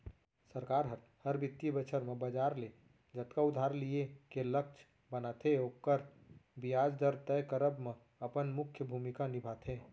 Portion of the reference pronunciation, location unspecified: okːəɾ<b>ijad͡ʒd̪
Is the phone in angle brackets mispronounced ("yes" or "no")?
no